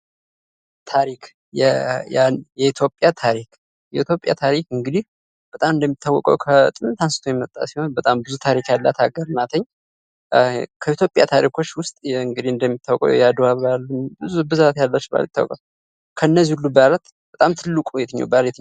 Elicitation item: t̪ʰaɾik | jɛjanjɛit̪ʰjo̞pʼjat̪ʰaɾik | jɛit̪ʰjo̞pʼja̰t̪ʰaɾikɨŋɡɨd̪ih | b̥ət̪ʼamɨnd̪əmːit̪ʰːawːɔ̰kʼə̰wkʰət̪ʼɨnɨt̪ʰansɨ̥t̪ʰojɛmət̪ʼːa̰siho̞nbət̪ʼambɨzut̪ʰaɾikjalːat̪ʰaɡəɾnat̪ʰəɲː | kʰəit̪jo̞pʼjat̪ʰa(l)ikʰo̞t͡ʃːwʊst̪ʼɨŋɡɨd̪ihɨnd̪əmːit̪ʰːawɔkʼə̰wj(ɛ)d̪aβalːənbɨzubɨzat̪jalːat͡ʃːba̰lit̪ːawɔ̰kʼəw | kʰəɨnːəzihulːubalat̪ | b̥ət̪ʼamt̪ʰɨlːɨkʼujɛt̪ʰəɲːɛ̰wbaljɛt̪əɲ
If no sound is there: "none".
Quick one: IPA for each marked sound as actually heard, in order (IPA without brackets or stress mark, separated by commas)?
ɾ, a